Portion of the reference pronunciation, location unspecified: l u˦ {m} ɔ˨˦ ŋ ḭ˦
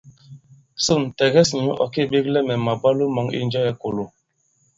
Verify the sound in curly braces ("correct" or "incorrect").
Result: correct